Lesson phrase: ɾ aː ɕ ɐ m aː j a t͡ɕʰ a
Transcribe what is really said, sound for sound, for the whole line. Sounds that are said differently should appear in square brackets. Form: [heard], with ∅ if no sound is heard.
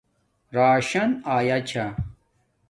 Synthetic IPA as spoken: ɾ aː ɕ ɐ [n] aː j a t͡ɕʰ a